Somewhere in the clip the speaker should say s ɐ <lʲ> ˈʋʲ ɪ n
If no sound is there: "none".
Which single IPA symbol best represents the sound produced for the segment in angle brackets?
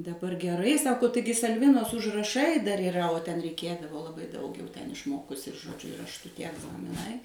lʲ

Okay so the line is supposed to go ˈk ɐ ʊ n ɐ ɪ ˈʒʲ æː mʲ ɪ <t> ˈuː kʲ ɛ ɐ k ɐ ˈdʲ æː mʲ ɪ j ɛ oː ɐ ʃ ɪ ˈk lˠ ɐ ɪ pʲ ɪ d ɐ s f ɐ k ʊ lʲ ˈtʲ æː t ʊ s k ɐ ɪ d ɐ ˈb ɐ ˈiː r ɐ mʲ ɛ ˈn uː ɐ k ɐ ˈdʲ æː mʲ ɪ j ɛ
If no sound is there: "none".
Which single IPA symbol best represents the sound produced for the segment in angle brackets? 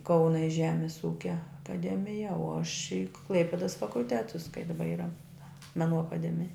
s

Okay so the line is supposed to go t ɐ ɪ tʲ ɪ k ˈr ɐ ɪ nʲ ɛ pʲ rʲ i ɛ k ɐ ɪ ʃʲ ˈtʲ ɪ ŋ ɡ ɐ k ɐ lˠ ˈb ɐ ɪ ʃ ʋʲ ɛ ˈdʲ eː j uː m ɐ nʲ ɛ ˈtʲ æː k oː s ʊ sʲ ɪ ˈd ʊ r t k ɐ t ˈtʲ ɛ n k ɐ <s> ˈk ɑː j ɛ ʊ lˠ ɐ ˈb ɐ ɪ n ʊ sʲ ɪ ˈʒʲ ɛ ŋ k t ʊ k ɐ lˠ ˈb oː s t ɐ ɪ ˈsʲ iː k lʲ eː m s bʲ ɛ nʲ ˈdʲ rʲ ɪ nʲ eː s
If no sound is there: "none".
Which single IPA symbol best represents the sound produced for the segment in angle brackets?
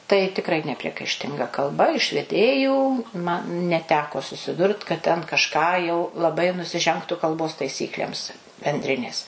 ʃ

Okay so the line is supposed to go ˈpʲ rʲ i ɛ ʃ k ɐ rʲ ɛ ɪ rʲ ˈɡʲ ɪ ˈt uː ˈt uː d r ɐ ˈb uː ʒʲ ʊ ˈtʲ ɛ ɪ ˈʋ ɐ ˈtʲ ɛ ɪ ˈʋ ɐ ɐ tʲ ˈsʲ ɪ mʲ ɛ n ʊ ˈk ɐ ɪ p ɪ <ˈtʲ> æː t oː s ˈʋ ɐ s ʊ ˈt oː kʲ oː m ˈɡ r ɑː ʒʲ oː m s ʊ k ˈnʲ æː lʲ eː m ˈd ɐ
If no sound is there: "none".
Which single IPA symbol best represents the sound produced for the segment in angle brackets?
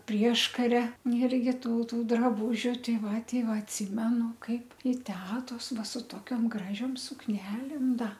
tʲ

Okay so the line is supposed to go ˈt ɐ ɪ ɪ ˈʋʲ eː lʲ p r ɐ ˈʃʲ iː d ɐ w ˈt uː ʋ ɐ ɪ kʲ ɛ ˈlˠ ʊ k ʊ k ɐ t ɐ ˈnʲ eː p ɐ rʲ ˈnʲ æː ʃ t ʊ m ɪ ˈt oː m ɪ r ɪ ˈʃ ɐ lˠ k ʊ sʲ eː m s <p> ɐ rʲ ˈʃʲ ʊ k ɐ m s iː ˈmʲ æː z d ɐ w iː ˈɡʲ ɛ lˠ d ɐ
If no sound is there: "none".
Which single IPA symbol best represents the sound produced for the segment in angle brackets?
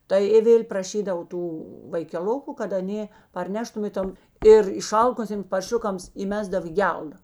p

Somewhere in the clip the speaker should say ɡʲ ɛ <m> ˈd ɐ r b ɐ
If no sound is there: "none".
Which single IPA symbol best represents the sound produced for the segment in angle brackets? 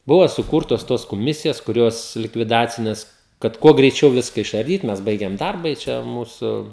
m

